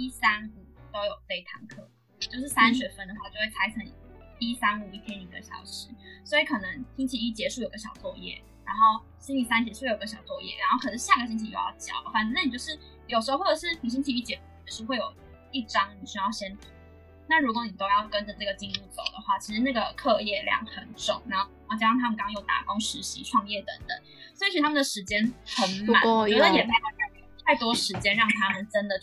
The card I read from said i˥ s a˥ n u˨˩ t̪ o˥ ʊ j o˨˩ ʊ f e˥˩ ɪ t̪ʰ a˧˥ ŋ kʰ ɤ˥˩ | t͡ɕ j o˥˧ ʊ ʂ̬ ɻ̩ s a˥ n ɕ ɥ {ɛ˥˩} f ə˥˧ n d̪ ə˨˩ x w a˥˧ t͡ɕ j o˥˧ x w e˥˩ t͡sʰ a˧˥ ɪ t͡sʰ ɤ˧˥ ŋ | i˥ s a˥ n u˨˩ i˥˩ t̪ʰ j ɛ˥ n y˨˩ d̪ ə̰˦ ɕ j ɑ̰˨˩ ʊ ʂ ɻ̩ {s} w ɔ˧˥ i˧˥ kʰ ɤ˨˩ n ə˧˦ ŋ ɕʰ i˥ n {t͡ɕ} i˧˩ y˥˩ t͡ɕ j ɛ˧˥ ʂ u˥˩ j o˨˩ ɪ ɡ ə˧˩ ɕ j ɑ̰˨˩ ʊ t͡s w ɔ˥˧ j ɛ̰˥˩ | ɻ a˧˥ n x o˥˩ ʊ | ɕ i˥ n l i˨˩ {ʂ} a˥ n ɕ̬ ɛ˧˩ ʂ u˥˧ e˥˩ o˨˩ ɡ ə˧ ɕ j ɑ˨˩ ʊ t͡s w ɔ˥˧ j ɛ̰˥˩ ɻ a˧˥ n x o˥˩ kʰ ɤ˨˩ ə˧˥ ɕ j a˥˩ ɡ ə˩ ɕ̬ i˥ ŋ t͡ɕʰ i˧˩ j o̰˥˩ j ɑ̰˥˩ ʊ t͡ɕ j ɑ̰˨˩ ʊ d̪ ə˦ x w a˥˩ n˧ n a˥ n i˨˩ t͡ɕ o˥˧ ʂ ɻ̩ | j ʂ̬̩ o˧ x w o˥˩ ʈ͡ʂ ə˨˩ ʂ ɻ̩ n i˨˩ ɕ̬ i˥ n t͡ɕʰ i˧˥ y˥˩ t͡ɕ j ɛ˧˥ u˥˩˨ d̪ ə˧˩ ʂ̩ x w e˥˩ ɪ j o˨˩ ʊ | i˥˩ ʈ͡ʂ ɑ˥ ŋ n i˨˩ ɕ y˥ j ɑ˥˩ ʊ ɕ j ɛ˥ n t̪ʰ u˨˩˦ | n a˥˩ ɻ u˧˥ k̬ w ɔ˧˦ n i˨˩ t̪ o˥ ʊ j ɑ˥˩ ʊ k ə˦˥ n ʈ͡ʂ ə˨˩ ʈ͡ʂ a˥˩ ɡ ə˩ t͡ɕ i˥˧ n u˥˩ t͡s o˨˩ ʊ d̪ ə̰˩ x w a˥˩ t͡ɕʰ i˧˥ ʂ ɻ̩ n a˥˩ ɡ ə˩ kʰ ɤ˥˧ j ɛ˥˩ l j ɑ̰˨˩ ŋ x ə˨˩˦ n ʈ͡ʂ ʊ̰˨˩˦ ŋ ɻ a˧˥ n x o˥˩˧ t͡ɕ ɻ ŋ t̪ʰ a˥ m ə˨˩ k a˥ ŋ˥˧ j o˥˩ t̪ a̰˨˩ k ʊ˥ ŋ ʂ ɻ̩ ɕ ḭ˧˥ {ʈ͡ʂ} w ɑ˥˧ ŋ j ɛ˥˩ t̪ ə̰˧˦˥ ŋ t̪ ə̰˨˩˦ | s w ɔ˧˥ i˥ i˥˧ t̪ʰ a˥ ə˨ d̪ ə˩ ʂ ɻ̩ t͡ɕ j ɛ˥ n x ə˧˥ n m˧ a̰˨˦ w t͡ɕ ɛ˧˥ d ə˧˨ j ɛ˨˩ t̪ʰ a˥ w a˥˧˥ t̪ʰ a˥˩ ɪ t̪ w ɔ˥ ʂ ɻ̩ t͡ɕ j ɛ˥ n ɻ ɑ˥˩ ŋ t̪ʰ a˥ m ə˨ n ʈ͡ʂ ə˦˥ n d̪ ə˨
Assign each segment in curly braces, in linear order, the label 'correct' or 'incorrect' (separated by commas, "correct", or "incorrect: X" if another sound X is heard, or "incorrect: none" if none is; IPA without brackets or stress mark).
incorrect: ɛ˨˩, correct, incorrect: t͡ɕʰ, incorrect: s, incorrect: ʈ͡ʂʰ